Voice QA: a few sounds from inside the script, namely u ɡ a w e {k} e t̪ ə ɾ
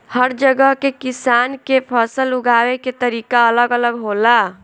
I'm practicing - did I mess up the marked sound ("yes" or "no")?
no